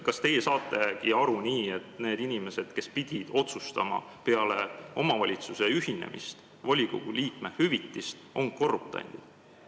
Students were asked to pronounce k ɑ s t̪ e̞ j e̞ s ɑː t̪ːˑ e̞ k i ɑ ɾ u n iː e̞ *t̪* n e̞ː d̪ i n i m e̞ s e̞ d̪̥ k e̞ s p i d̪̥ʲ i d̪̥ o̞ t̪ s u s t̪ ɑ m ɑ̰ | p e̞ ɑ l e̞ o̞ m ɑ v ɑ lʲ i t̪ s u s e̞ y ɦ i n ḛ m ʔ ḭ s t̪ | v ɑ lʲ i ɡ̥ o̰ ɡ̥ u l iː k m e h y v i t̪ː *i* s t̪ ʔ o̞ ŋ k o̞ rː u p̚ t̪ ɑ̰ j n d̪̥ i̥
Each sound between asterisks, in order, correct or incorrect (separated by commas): correct, correct